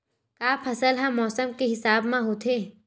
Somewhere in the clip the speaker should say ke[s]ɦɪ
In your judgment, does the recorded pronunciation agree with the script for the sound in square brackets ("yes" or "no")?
no